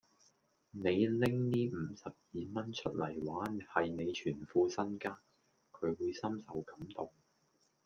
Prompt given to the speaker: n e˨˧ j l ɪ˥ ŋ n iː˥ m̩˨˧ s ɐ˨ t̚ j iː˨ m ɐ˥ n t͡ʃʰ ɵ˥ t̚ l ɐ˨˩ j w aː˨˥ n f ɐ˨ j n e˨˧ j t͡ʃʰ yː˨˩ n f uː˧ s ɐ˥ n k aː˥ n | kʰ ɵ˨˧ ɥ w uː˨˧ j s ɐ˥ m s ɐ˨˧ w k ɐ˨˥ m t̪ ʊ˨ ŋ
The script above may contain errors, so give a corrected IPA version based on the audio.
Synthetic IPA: n e˨˧ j l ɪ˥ ŋ n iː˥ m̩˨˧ s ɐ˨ p̚ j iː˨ m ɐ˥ n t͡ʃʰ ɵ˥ t̚ l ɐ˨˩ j w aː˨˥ n h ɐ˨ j n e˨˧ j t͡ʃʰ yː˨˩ n f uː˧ s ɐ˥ n k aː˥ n | kʰ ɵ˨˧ ɥ w uː˨˧ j s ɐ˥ m s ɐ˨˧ w k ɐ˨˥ m t̪ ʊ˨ ŋ